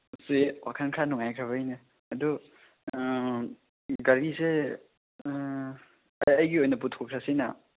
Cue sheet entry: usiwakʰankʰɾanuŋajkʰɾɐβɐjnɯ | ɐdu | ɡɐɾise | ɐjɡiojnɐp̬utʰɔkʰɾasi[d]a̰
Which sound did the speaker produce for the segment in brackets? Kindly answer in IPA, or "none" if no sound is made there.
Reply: n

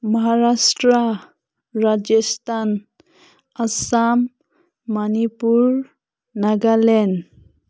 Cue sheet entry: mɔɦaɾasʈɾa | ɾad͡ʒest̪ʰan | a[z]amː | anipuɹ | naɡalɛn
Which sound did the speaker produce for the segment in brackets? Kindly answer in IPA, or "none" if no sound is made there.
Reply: s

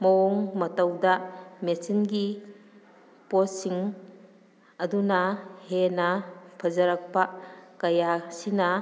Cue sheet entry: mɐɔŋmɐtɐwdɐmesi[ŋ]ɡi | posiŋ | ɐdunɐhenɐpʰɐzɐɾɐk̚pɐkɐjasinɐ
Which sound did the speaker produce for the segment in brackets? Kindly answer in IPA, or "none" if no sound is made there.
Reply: n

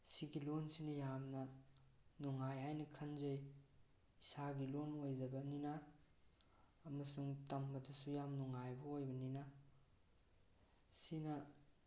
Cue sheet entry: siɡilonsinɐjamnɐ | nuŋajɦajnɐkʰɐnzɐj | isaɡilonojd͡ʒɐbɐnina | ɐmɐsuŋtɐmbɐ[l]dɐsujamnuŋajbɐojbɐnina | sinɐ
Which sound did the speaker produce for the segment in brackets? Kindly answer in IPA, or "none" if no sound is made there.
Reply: none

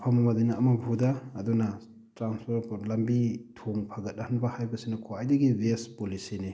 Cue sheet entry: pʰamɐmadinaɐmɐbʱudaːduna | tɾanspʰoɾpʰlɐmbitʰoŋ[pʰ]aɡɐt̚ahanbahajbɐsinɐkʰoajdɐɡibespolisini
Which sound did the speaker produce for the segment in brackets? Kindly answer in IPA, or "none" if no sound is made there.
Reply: pʰ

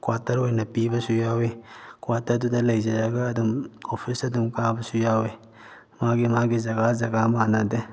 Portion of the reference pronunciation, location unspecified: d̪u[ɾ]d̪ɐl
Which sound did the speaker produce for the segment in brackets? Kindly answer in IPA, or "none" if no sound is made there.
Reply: none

